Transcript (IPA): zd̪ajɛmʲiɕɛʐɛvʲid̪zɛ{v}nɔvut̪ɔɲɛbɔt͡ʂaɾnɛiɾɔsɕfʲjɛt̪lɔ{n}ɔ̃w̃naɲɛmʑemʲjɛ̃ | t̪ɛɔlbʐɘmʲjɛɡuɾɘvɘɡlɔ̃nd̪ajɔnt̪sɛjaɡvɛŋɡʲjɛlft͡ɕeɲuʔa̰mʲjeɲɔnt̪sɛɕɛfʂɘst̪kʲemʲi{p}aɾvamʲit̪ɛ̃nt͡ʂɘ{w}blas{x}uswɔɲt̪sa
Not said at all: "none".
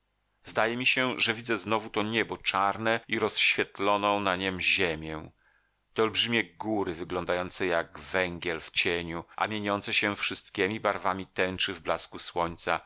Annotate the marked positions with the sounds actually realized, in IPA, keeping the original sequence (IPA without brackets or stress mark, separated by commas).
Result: z, n, b, v, k